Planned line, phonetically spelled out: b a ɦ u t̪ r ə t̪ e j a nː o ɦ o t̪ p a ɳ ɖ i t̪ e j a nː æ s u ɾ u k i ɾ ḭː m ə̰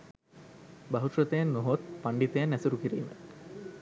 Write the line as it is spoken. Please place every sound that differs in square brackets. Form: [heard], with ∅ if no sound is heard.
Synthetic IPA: b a ɦ u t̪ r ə t̪ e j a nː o ɦ o t̪ p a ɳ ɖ i t̪ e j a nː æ s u ɾ u k i ɾ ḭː m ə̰